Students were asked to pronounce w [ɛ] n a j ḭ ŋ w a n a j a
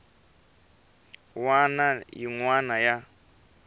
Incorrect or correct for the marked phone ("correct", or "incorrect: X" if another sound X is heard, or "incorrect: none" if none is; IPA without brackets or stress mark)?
incorrect: a